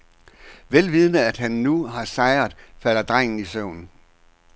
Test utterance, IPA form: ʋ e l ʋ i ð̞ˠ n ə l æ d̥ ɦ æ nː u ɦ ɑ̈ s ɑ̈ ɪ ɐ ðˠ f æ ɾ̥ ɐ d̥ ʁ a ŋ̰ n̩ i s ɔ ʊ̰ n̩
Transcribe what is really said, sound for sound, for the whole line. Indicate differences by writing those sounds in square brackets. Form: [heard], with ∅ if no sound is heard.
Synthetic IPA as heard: ʋ e l ʋ i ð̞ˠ n ə [∅] æ d̥ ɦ æ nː u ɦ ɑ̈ s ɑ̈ ɪ ɐ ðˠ f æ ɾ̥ ɐ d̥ ʁ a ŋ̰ n̩ i s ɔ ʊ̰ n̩